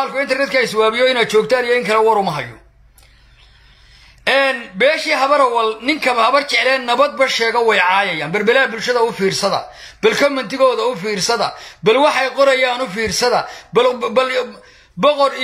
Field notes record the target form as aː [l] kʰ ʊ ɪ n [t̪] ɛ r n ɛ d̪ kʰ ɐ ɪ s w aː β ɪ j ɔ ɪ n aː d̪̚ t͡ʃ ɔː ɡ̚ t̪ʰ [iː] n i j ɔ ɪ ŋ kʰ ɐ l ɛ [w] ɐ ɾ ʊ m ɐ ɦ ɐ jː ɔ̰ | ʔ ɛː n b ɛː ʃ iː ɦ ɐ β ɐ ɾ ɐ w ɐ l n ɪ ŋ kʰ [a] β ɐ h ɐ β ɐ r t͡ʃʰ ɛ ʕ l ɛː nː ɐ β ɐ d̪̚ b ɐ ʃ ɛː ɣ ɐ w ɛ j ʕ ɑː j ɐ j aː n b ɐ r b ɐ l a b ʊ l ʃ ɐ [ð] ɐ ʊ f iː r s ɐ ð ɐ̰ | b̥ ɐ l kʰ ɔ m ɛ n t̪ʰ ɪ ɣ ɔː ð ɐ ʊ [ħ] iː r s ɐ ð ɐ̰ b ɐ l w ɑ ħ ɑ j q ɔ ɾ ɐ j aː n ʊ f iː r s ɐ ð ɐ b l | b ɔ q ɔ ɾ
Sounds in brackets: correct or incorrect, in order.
correct, correct, incorrect: aː, correct, incorrect: ɐ, correct, incorrect: f

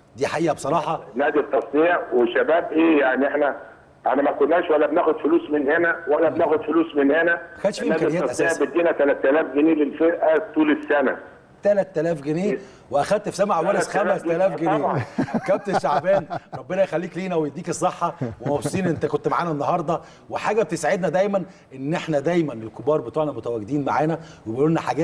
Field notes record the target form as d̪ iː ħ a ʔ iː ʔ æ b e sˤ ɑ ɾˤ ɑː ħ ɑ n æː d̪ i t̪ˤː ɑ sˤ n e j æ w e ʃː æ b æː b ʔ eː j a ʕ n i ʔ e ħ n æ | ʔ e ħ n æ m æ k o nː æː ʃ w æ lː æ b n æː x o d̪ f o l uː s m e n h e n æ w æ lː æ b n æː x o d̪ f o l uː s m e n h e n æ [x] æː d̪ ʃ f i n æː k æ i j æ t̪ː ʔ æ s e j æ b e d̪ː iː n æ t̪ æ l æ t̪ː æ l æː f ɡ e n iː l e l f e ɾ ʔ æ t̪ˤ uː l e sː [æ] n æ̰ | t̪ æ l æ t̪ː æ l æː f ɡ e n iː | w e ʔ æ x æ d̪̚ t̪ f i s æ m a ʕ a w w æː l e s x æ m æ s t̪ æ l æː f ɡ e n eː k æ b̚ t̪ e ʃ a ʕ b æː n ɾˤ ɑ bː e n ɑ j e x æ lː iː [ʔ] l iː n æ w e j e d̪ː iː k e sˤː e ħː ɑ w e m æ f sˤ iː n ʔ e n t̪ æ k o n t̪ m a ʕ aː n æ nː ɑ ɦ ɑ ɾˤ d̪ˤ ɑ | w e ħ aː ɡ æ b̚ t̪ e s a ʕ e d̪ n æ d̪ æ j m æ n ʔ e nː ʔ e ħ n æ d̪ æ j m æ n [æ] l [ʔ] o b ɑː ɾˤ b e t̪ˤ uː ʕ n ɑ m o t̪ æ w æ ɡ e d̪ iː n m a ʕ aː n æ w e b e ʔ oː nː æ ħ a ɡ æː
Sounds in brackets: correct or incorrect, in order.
correct, correct, incorrect: k, incorrect: e, incorrect: k

